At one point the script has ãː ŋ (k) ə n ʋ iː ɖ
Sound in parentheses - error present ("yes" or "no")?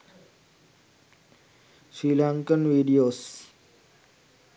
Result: no